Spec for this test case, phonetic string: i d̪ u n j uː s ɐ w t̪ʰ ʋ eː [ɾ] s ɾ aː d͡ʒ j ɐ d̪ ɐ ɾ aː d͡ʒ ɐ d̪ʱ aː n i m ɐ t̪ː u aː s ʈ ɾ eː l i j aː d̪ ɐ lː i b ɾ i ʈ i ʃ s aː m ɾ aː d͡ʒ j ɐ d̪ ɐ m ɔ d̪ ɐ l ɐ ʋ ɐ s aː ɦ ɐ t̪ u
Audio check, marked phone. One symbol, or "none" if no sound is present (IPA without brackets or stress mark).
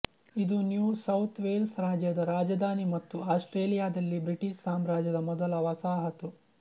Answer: l